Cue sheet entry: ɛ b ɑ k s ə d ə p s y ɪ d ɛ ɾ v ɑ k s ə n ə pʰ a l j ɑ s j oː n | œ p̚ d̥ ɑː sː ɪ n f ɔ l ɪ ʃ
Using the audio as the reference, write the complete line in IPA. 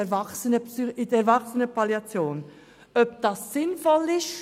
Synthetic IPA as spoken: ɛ v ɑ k s ə n ə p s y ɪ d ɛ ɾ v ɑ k s ə n ə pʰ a l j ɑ t͡s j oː n | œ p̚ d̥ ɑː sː ɪ n f ɔ l ɪ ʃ